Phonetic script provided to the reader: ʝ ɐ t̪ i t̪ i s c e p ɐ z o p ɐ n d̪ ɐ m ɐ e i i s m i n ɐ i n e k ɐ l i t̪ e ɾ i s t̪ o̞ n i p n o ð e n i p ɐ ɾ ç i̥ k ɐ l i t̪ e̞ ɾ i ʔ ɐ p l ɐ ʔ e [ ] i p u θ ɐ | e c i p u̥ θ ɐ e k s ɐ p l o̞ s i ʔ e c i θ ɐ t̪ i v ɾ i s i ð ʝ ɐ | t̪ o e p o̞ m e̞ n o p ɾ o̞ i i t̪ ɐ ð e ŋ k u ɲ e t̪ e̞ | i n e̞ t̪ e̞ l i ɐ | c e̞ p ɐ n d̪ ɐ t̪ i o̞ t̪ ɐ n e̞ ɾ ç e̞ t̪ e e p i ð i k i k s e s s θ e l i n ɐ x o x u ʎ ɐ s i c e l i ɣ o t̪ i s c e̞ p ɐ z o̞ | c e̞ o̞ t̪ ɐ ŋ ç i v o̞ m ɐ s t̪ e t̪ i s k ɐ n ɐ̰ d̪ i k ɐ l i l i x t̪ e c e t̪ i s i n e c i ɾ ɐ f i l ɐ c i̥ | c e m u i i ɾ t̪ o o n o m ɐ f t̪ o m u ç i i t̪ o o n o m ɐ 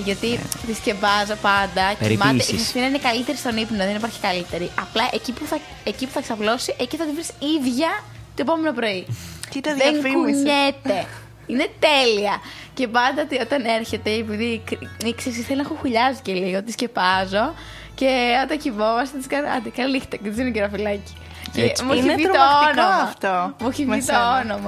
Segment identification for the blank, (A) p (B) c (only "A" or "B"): B